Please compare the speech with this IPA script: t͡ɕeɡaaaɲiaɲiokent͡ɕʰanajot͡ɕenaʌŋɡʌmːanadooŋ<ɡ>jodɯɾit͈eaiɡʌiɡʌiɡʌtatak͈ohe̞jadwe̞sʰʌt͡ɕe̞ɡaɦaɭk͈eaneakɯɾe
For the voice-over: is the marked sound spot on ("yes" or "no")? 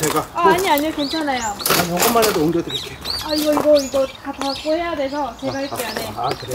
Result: yes